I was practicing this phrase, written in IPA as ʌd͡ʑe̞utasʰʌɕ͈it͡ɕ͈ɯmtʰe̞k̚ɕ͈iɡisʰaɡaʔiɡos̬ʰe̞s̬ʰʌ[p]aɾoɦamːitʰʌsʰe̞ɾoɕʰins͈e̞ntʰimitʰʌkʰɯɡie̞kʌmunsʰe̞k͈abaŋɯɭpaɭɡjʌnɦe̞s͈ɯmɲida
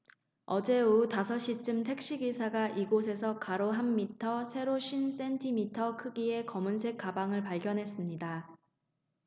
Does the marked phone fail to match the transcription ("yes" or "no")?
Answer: yes